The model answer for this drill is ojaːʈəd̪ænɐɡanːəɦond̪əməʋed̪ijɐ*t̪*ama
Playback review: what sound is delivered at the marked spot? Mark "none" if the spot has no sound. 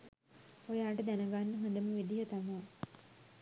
t̪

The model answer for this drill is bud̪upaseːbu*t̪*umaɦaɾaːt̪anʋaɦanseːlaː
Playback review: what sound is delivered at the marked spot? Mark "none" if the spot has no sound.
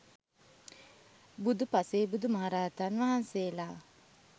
d̪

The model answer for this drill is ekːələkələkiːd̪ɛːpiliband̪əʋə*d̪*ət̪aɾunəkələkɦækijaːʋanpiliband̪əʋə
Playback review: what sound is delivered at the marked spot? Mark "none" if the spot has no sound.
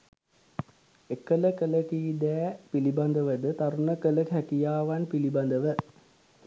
d̪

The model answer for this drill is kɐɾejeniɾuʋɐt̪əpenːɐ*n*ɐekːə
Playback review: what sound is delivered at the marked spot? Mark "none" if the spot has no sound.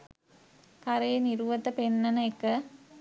n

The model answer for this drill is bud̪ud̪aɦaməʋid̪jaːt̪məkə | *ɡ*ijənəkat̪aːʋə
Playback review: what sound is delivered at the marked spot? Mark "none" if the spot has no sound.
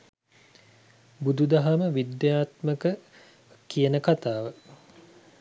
k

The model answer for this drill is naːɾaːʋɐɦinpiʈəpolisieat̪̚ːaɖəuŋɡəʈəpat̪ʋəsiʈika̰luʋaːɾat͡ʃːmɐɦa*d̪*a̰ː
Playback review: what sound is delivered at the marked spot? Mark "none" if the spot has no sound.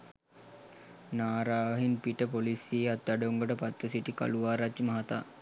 t̪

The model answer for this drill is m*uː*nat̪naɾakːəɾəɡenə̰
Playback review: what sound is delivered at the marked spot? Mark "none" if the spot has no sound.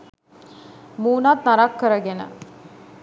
uː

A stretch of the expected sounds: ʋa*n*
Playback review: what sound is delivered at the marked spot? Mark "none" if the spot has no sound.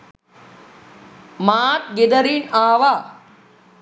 none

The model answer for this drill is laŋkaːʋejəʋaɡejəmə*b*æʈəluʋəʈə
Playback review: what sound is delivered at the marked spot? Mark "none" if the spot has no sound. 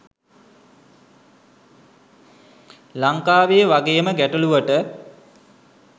ɡ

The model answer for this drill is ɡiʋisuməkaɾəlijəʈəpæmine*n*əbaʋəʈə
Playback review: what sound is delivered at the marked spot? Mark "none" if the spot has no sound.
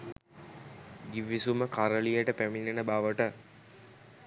n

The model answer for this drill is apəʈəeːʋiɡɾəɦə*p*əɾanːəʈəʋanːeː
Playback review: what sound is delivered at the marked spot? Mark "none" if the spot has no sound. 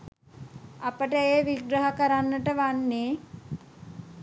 k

